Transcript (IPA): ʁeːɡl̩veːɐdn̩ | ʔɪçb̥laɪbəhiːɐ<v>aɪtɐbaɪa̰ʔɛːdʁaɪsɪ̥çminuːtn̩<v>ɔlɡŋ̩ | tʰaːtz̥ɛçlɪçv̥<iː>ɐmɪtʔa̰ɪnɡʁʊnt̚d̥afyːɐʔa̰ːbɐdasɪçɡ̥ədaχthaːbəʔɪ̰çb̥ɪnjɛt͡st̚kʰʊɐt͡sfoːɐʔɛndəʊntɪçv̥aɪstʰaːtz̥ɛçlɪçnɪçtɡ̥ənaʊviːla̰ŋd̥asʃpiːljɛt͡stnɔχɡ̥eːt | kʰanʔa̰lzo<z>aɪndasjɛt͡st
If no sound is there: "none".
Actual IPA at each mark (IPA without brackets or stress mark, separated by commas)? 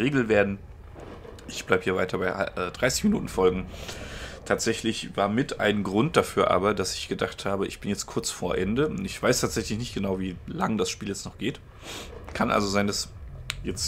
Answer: v, f, aː, z